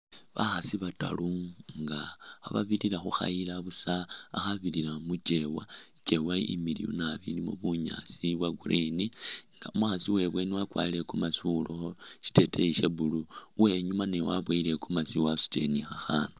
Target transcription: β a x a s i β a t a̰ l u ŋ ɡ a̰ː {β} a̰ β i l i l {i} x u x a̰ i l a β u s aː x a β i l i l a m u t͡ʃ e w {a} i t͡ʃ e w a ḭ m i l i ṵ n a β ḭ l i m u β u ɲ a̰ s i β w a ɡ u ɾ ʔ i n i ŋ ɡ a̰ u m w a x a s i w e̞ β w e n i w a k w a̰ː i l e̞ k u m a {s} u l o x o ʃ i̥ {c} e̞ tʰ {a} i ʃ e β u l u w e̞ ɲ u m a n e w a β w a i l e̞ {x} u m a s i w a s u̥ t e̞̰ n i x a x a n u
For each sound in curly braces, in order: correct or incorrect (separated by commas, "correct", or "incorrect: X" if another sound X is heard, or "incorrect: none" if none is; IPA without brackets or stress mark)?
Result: correct, incorrect: a, correct, correct, incorrect: t, incorrect: e, incorrect: k